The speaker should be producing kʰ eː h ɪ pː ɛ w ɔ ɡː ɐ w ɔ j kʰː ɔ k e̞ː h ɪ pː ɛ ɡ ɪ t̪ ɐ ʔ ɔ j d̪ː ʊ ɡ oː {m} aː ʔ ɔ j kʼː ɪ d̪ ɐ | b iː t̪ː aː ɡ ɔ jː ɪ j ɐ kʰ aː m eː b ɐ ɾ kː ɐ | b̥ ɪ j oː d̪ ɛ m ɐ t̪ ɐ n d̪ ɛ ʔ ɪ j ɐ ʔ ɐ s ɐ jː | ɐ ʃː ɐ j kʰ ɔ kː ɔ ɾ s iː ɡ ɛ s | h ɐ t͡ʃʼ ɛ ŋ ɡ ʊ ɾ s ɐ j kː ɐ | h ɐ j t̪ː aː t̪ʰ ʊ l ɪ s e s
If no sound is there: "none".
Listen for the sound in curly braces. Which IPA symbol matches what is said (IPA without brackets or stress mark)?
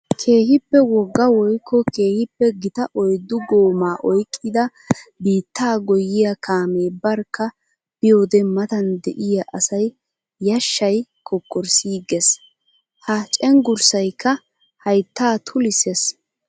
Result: m